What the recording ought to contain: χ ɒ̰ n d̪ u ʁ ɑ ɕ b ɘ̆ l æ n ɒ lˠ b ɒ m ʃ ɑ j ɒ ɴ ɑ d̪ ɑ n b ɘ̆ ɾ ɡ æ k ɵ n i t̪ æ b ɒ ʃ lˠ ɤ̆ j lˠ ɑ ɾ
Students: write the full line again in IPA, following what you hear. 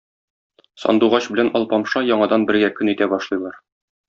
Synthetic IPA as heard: s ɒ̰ n d̪ u ʁ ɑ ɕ b ɘ̆ l æ n ɒ lˠ p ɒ m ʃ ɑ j ɒ ɴ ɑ d̪ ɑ n b ɘ̆ ɾ ɡ æ k ɵ n i t̪ æ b ɒ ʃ lˠ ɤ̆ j lˠ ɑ ɾ